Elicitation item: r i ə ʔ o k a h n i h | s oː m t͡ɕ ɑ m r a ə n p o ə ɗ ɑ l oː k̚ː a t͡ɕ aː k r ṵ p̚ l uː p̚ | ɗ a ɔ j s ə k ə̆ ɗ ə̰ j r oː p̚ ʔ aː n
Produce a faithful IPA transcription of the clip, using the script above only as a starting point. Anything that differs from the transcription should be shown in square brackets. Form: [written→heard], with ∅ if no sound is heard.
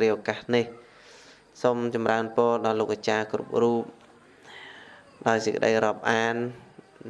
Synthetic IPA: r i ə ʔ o k a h n i h | s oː m t͡ɕ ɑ m r a ə n p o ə ɗ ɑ l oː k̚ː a t͡ɕ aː k r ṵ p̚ [l→r] uː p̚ | ɗ a ɔ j s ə k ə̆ ɗ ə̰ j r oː p̚ ʔ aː n